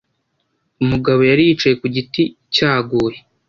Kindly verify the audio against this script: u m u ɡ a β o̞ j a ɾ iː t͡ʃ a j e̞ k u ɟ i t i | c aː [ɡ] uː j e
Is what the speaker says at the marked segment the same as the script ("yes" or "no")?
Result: yes